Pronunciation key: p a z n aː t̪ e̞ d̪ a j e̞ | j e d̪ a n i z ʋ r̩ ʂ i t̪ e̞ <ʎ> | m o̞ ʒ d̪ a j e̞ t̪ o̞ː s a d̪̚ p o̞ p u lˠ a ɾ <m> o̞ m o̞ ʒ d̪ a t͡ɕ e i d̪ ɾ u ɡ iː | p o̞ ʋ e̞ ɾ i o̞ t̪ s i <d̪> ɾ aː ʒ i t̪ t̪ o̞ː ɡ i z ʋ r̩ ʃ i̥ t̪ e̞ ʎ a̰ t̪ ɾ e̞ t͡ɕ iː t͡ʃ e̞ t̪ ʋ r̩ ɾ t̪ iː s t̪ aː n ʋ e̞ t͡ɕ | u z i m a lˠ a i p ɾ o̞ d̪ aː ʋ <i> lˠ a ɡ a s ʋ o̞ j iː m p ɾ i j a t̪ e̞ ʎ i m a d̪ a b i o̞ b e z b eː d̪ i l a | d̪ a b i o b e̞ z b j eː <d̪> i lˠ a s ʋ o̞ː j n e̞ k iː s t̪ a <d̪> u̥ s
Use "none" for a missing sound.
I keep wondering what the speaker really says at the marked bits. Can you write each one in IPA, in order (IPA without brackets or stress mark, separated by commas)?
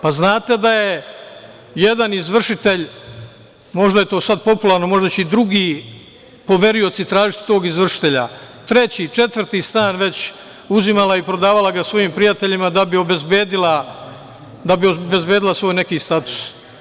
ʎ, n, t̪, a, d̪, t̪